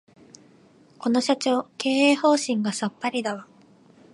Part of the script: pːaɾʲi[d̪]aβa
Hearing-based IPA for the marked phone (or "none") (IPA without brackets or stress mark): d̪